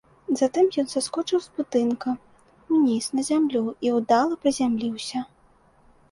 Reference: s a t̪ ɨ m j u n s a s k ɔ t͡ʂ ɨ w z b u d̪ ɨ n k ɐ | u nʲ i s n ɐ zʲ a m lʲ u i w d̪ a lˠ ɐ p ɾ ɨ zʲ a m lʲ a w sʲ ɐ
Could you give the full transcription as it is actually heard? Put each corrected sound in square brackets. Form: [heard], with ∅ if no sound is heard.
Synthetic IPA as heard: [z] a t̪ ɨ m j [ɔ] n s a s k ɔ t͡ʂ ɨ w z b u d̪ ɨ n k ɐ | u nʲ i s n ɐ zʲ a m lʲ u i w d̪ a lˠ ɐ p ɾ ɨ zʲ a m lʲ [i] w sʲ ɐ

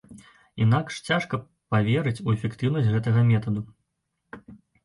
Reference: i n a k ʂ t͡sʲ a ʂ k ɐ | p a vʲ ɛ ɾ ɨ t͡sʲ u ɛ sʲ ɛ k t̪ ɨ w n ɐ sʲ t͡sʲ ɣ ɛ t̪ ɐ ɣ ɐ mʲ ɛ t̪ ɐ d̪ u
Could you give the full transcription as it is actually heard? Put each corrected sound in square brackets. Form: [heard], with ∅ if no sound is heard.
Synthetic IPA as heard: i n a k ʂ t͡sʲ a ʂ k ɐ | p a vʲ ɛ ɾ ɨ t͡sʲ u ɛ [fʲ] ɛ k t̪ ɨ w n ɐ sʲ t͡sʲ ɣ ɛ t̪ ɐ ɣ ɐ mʲ ɛ t̪ ɐ d̪ u

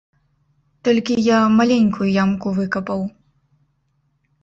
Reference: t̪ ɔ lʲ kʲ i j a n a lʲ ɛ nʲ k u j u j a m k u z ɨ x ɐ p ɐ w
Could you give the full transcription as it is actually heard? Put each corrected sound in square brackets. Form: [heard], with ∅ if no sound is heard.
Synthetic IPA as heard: t̪ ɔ lʲ kʲ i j a [m] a lʲ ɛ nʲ k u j u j a m k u [v] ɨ [k] ɐ p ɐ w

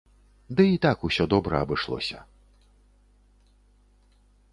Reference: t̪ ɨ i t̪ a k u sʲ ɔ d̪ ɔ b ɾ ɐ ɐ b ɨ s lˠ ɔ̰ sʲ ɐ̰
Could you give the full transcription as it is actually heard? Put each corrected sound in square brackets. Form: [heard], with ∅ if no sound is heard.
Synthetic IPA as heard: [d̪] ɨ i t̪ a k u sʲ ɔ d̪ ɔ b ɾ ɐ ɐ b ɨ [ʂ] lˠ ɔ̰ sʲ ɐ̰

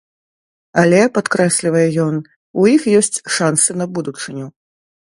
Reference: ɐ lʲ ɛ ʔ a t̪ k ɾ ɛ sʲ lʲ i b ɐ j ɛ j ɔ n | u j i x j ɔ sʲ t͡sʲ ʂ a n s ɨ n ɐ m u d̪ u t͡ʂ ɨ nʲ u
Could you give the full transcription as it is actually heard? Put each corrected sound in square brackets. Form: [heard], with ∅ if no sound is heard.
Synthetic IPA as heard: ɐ lʲ ɛ [p] a t̪ k ɾ ɛ sʲ lʲ i [v] ɐ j ɛ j ɔ n | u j i x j ɔ sʲ t͡sʲ ʂ a n s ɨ n ɐ [b] u d̪ u t͡ʂ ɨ nʲ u

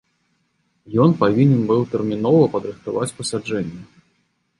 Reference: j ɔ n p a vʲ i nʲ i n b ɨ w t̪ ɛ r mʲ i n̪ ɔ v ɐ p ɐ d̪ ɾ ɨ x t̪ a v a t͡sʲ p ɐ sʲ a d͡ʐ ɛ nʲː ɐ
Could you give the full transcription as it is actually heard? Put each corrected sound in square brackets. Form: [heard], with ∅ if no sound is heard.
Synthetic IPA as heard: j ɔ n p a vʲ i nʲ [ɛ] n b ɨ w t̪ ɛ r mʲ i n̪ ɔ v ɐ p ɐ d̪ ɾ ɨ x t̪ a v a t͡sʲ p ɐ sʲ a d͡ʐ ɛ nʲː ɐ

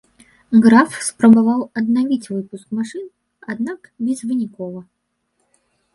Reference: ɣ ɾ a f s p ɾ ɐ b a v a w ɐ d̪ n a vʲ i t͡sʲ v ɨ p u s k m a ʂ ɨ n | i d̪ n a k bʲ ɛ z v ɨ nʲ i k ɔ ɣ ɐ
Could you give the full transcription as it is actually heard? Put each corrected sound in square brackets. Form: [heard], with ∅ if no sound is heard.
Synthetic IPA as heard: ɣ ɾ a f s p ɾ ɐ b a v a w ɐ d̪ n a vʲ i t͡sʲ v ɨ p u s k m a ʂ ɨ n | [a] d̪ n a k bʲ ɛ z v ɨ nʲ i k ɔ [v] ɐ

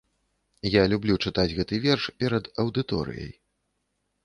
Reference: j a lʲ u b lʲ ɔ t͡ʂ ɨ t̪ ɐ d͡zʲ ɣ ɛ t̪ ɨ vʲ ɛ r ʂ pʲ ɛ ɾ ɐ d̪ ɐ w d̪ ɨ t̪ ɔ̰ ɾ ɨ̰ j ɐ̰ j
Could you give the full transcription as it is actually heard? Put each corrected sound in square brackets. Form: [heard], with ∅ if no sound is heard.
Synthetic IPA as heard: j a lʲ u b lʲ [u] t͡ʂ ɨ t̪ [a] d͡zʲ ɣ ɛ t̪ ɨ vʲ ɛ r ʂ pʲ ɛ ɾ ɐ d̪ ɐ w d̪ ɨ t̪ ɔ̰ ɾ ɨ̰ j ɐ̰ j

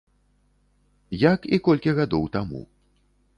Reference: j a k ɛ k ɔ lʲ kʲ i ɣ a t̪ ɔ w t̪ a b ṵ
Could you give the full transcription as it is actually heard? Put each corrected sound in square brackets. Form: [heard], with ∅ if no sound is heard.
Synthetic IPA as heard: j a k [i] k ɔ lʲ kʲ i ɣ a [d̪] ɔ w t̪ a [m] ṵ

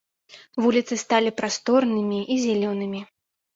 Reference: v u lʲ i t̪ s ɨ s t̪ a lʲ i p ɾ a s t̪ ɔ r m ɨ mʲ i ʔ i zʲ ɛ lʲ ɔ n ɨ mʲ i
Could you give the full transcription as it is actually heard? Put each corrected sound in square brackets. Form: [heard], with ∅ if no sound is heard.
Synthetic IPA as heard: v u lʲ i t̪ s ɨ s t̪ a lʲ i p ɾ a s t̪ ɔ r [n] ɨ mʲ i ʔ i zʲ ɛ lʲ ɔ n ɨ mʲ i

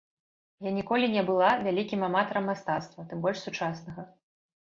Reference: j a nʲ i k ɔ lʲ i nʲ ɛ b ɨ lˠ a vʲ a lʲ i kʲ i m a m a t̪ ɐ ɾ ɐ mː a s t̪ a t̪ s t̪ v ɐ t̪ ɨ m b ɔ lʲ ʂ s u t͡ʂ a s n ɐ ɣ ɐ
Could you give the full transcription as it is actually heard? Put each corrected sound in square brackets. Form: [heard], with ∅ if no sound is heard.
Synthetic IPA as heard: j a nʲ i k ɔ lʲ i nʲ ɛ b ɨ lˠ a vʲ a lʲ i kʲ i m a m a t̪ ɐ ɾ ɐ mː a s t̪ a t̪ s t̪ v ɐ t̪ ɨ m b ɔ lʲ ʂ s u t͡ʂ a s n ɐ ɣ ɐ

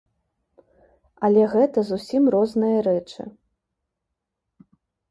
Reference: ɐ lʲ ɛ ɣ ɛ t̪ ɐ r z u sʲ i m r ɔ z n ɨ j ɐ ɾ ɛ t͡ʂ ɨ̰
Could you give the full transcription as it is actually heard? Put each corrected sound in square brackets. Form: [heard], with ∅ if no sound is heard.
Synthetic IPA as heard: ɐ lʲ ɛ ɣ ɛ t̪ ɐ [∅] z u sʲ i m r ɔ z n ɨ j ɐ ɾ ɛ t͡ʂ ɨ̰

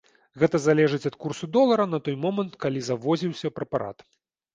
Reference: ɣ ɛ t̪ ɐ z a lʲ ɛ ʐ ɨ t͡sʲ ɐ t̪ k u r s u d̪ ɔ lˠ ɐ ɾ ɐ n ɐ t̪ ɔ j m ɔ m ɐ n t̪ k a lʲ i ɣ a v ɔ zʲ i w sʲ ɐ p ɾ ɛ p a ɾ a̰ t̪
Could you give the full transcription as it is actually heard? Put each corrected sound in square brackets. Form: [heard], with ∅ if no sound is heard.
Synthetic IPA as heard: ɣ ɛ t̪ ɐ z a lʲ ɛ ʐ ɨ t͡sʲ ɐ t̪ k u r s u d̪ ɔ lˠ ɐ ɾ ɐ n ɐ t̪ ɔ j m ɔ m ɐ n t̪ k a lʲ i [z] a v ɔ zʲ i w sʲ ɐ p ɾ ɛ p a ɾ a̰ t̪

